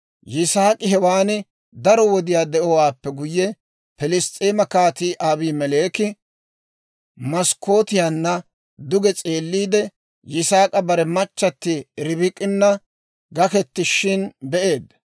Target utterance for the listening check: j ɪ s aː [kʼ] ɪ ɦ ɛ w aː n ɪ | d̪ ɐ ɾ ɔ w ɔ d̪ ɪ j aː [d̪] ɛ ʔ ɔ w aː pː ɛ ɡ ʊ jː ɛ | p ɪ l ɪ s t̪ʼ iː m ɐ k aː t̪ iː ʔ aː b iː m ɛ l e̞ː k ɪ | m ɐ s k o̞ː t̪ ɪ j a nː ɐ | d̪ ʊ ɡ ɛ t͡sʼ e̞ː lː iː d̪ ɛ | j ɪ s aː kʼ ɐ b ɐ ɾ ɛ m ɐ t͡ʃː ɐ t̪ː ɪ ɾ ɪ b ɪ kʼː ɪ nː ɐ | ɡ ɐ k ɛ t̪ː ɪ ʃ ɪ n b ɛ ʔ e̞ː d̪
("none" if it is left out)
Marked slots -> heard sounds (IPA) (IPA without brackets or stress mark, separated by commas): kʼ, d̪